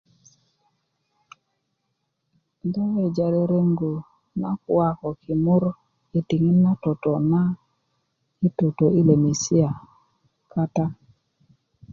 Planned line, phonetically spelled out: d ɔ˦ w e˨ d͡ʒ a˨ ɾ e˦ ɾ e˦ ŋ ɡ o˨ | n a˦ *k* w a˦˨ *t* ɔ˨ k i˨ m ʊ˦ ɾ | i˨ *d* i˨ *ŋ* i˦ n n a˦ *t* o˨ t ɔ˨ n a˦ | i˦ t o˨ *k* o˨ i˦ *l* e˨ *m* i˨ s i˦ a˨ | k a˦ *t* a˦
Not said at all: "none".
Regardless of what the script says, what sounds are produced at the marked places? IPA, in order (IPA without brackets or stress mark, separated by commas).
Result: k, k, t, ŋ, t, t, l, m, t